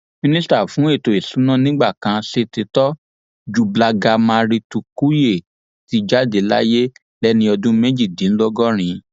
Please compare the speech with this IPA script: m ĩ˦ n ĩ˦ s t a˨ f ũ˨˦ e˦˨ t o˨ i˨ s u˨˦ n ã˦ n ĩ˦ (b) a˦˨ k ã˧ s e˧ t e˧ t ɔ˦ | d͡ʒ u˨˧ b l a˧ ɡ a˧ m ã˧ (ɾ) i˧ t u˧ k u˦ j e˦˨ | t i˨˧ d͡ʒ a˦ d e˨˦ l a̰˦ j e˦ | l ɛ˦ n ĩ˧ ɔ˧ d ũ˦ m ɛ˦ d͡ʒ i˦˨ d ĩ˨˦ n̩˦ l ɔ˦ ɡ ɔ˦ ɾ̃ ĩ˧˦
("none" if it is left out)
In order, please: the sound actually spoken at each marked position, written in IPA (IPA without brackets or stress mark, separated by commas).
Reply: ɡ͡b, ɾ